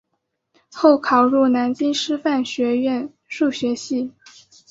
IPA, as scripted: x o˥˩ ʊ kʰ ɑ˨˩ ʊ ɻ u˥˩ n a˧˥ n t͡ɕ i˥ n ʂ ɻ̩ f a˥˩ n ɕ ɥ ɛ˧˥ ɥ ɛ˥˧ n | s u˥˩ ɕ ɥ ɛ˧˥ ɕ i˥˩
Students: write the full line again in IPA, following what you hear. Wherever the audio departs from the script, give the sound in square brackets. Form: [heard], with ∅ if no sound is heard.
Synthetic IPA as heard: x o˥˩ ʊ kʰ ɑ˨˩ ʊ ɻ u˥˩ n a˧˥ n t͡ɕ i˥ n ʂ ɻ̩ f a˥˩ n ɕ ɥ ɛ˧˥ ɥ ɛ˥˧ n | [ʂ] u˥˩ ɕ ɥ ɛ˧˥ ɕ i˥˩